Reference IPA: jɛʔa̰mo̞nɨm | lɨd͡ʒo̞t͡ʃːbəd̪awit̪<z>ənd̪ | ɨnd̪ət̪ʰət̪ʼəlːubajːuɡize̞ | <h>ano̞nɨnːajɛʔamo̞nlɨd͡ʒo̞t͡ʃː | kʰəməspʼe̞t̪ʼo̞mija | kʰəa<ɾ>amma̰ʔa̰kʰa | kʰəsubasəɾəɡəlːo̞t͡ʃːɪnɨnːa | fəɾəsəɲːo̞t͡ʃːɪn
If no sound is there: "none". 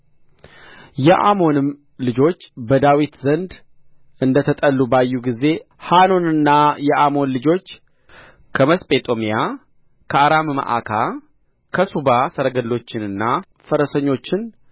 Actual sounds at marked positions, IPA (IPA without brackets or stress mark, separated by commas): z, h, ɾ